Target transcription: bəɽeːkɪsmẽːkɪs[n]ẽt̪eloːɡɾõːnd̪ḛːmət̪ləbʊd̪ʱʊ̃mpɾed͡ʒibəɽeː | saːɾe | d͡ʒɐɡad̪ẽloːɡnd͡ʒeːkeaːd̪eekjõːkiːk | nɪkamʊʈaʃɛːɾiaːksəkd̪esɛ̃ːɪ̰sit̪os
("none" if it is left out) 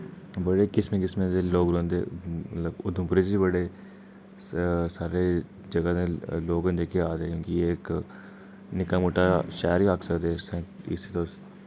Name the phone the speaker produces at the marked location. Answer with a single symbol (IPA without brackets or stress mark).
m